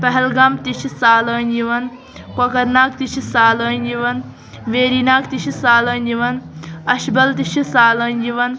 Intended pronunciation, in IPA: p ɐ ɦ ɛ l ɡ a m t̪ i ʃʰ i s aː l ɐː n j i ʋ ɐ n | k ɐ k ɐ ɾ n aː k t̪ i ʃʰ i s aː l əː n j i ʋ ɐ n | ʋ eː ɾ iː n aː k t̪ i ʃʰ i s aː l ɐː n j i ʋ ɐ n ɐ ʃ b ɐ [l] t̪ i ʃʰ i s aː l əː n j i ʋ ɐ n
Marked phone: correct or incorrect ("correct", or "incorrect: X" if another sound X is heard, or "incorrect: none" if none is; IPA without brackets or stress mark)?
correct